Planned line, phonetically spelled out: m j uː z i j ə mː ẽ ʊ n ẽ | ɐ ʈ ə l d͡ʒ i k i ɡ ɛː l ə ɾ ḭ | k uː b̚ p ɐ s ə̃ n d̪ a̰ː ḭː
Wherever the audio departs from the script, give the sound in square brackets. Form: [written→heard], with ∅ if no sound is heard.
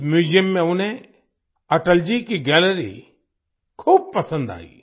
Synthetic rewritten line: m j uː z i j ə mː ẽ ʊ n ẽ | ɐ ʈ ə l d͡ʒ i k i ɡ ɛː l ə ɾ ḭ | [k→kʰ] uː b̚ p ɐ s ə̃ n d̪ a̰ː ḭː

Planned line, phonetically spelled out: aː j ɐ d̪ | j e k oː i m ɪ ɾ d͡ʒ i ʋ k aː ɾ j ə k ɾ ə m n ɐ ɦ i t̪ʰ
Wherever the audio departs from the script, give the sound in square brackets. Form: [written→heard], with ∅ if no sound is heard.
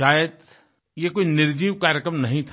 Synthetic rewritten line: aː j [ɐ→ə] d̪ | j e k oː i [m→n] ɪ ɾ d͡ʒ [i→iː] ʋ k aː ɾ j ə k ɾ ə m n ɐ ɦ [i→ĩ] t̪ʰ

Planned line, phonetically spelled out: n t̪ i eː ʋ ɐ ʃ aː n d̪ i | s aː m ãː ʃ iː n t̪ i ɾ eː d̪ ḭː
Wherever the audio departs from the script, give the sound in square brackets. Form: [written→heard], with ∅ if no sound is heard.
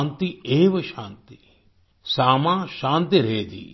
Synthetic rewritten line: n t̪ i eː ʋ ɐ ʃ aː n [d̪→t̪] i | s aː m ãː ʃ [iː→aː] n t̪ i ɾ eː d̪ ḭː

